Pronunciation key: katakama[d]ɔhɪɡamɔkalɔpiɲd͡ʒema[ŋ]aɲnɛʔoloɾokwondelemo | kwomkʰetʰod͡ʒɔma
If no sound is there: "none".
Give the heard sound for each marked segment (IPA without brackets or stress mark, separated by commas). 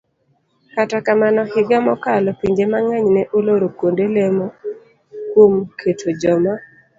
n, ŋ